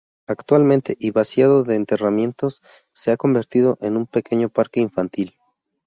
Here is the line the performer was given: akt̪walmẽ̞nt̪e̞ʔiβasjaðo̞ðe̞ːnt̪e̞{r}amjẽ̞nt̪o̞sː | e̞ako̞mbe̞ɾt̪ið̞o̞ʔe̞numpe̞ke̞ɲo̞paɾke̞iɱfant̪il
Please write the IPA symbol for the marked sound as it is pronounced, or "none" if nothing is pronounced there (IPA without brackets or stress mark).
r